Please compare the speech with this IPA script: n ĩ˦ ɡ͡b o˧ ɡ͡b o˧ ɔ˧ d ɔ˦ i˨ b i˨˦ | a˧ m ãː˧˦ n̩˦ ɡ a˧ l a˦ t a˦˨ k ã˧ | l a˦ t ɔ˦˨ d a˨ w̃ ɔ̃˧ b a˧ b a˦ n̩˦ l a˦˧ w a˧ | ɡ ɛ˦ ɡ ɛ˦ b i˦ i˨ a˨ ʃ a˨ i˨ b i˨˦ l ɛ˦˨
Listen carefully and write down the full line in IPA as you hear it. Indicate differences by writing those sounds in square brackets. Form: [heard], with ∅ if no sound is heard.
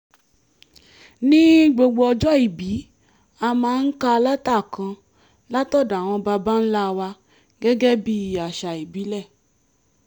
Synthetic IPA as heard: n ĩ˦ ɡ͡b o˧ ɡ͡b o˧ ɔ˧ [d͡ʒ] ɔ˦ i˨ b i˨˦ | a˧ m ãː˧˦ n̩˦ [k] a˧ l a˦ t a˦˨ k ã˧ | l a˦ t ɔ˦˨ d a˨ w̃ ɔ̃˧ b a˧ b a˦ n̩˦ l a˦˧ w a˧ | ɡ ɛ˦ ɡ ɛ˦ b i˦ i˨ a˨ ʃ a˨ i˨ b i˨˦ l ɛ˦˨